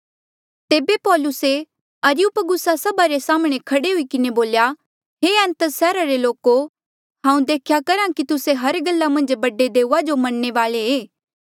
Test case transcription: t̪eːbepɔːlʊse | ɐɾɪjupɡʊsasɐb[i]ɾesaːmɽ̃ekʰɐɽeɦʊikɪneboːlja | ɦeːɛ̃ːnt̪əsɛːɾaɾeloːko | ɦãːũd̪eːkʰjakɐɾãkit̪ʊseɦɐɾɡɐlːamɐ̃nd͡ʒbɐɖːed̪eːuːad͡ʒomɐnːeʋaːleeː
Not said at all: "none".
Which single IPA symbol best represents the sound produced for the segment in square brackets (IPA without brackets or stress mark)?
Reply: a